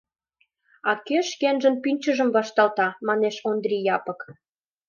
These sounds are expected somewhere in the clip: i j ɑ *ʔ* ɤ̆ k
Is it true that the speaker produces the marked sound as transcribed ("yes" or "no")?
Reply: no